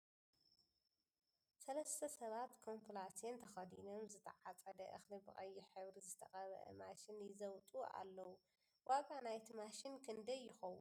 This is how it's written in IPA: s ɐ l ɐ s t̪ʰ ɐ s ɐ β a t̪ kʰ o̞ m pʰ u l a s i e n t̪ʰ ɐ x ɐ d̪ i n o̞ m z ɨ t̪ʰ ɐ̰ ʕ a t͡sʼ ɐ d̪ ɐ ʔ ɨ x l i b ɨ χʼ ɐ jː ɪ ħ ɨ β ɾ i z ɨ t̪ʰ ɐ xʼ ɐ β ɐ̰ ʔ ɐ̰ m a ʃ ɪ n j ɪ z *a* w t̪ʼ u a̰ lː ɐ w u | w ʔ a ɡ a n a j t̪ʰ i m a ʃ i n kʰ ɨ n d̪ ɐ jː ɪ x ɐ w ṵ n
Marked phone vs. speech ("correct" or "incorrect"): incorrect